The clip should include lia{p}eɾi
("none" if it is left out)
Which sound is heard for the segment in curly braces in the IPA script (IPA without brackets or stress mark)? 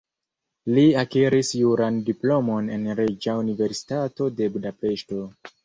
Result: k